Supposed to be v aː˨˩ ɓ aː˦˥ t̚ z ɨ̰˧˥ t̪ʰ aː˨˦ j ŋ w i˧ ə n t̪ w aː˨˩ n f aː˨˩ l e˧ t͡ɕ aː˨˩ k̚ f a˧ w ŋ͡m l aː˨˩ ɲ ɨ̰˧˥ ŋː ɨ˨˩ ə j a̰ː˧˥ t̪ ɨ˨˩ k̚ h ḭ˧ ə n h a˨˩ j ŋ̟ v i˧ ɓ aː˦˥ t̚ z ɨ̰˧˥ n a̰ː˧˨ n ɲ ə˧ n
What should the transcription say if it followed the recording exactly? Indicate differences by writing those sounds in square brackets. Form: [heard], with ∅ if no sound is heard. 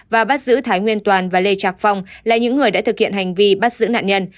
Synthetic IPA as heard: v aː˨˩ ɓ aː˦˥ t̚ z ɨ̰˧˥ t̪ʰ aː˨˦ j ŋ w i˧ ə n t̪ w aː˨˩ n [v] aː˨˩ l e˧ t͡ɕ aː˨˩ k̚ f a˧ w ŋ͡m l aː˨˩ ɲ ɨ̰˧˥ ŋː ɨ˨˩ ə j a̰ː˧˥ t̪ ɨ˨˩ k̚ h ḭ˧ ə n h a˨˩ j ŋ̟ v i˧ ɓ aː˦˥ t̚ z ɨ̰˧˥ n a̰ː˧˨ n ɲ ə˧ n